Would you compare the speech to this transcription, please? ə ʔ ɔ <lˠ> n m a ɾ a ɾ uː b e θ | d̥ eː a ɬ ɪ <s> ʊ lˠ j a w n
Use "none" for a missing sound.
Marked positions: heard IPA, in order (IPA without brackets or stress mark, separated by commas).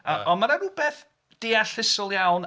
none, s